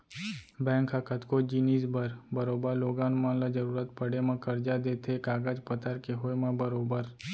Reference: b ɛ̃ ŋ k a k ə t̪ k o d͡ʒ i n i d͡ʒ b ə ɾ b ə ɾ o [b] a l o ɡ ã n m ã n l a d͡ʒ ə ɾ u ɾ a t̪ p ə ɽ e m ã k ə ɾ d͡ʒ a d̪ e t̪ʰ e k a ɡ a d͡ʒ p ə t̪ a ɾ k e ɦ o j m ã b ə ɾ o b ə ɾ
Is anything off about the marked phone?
no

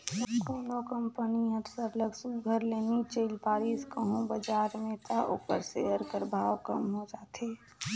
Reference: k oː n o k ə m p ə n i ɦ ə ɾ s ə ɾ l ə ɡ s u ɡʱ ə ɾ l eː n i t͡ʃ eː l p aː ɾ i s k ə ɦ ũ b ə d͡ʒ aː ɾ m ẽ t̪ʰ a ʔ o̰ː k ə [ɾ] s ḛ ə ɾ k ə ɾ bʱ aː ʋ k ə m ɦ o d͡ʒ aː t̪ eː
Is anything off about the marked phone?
no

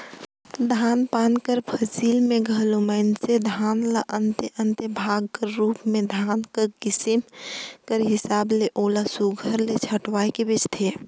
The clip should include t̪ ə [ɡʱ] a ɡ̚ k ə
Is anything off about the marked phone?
yes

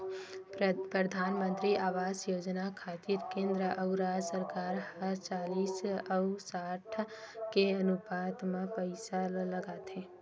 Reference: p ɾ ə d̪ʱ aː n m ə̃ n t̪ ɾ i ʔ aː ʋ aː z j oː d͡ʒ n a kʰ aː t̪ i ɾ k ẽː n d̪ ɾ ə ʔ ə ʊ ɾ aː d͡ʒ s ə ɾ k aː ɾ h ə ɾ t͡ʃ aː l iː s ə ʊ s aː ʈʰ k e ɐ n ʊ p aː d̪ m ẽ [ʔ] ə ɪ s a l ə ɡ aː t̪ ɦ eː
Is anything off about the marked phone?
yes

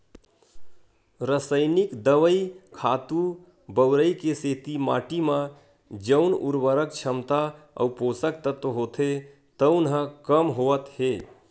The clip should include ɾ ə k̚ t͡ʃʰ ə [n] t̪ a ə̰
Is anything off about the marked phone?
yes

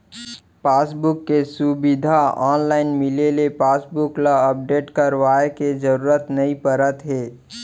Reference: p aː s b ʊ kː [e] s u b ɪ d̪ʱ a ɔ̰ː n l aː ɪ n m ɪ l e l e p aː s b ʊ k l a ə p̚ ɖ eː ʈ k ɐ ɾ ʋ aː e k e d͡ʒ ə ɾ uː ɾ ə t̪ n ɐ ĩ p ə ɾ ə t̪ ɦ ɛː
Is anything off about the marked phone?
no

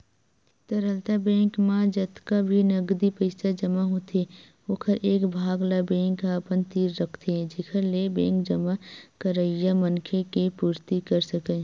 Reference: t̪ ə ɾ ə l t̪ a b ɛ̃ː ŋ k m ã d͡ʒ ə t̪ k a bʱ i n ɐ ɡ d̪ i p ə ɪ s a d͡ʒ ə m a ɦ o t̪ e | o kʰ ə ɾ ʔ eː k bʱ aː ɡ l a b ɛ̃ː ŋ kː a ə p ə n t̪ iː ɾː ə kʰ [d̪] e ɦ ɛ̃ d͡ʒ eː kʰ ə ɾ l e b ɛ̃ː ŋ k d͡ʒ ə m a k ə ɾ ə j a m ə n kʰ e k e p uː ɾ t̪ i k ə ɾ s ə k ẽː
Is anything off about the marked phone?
yes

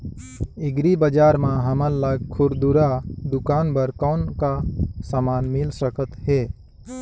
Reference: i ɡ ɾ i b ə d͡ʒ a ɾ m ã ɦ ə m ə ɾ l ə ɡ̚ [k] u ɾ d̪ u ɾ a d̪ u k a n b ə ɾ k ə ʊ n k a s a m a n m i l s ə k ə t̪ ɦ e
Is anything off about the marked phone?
yes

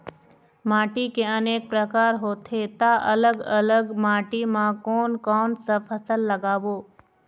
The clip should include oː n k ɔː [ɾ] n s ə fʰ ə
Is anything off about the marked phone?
yes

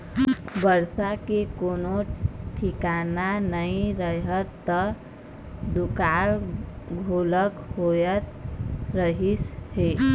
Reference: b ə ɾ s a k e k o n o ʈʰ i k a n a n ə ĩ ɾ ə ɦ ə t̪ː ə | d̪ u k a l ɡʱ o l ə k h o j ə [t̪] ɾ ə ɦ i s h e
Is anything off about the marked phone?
no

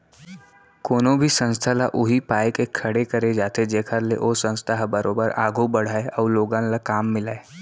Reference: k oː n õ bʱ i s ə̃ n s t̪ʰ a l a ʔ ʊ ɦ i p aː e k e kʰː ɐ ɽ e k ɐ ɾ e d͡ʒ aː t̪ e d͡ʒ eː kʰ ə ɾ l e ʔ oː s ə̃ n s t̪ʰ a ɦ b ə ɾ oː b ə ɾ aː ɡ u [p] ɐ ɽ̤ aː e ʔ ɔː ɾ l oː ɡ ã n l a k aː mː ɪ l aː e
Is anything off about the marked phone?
yes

